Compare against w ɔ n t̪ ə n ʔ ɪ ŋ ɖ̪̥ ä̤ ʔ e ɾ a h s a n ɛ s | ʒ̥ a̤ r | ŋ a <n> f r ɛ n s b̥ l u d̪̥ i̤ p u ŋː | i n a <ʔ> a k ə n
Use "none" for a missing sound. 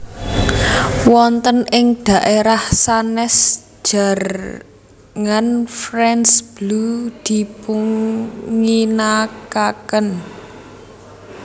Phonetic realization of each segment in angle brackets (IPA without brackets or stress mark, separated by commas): n, k